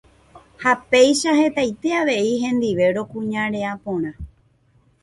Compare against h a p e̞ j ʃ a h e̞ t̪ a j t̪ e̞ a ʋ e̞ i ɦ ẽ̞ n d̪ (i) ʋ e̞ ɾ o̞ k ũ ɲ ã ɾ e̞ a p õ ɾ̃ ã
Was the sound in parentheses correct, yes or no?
yes